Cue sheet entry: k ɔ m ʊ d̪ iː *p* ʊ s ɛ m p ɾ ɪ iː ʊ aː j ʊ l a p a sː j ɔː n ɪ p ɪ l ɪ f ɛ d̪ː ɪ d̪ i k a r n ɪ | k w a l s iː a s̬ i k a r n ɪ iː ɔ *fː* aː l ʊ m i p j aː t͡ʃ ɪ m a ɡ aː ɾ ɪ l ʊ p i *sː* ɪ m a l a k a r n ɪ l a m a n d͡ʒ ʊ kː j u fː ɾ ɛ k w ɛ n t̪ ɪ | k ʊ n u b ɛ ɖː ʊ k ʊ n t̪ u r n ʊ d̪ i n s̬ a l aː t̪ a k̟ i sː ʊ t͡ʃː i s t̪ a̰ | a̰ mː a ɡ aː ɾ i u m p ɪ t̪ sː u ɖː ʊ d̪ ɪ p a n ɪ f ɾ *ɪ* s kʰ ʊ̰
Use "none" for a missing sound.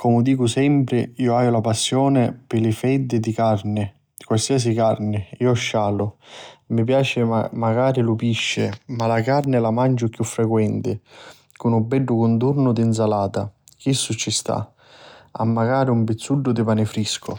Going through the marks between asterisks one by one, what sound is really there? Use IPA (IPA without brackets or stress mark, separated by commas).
k, ʃː, ʃː, i